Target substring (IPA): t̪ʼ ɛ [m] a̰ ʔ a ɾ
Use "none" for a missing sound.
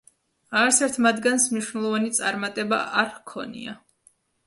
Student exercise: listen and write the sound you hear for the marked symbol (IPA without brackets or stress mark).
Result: b